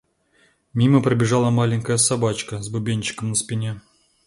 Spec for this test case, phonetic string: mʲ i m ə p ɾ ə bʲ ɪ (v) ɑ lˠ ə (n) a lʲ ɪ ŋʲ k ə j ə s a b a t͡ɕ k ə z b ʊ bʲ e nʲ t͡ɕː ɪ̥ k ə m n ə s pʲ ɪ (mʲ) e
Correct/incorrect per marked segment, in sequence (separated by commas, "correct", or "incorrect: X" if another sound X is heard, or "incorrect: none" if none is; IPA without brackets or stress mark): incorrect: ʐ, incorrect: m, incorrect: nʲ